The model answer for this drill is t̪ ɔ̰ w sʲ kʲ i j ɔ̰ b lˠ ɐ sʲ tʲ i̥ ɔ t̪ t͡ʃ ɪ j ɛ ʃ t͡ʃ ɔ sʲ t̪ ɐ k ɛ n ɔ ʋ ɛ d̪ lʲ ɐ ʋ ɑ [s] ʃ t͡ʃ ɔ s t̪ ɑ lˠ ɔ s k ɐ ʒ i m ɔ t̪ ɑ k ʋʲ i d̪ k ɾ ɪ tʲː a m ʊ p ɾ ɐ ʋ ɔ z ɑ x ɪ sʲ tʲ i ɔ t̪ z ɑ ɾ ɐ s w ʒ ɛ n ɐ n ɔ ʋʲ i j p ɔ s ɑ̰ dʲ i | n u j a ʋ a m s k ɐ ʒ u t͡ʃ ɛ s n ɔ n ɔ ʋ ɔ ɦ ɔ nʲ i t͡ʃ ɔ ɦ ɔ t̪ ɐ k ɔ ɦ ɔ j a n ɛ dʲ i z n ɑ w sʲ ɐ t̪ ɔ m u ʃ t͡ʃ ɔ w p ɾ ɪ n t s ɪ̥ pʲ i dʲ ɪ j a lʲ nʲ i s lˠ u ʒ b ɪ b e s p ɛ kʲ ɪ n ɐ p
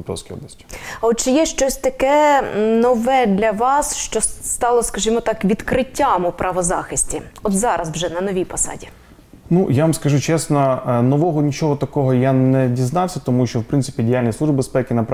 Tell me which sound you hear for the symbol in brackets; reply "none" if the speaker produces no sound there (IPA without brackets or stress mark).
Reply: s